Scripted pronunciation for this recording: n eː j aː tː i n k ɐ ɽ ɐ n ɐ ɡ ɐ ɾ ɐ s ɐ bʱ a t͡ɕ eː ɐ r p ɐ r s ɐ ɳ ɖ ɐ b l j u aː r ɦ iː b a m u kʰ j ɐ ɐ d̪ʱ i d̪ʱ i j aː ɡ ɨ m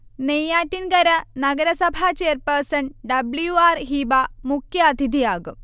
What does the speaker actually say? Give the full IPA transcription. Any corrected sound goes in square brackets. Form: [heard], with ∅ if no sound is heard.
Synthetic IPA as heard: n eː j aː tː i n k ɐ [ɾ] ɐ n ɐ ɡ ɐ ɾ ɐ s ɐ bʱ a t͡ɕ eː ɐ r p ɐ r s ɐ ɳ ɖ ɐ b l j u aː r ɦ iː b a m u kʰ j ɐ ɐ d̪ʱ i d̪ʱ i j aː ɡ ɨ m